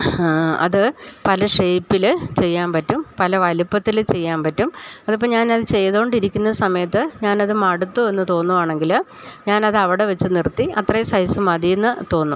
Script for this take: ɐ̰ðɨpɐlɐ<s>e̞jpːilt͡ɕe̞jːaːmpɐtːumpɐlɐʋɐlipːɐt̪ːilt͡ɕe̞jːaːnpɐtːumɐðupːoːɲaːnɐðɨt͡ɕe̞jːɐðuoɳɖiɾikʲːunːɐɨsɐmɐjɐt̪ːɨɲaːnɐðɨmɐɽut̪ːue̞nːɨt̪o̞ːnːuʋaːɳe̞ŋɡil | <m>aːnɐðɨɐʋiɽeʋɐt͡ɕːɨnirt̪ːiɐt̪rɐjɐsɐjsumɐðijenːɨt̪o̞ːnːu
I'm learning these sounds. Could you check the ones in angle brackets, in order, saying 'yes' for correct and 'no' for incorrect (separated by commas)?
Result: no, no